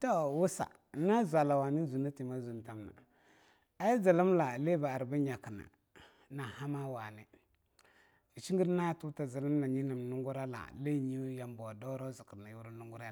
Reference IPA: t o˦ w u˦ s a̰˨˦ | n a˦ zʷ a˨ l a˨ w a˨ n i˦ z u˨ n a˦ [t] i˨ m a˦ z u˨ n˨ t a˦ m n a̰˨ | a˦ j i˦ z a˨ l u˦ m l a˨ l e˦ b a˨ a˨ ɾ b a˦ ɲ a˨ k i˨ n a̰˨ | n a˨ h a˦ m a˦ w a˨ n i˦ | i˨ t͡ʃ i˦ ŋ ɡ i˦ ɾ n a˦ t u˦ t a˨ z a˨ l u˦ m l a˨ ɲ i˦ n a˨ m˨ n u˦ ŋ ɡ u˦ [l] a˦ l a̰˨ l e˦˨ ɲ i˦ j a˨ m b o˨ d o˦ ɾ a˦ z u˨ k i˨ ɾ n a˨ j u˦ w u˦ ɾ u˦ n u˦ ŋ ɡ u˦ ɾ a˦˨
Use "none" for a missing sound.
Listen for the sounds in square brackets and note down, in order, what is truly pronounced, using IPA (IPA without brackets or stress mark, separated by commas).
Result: t, ɾ